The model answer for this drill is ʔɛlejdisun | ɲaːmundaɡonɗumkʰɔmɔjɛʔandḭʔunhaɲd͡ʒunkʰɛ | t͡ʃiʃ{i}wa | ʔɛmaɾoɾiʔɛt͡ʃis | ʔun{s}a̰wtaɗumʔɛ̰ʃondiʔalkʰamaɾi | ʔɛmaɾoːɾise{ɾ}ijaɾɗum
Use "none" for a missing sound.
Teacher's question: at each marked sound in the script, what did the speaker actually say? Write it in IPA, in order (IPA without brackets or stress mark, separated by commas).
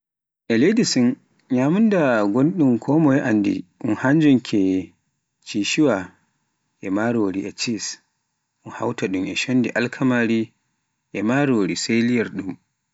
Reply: i, h, l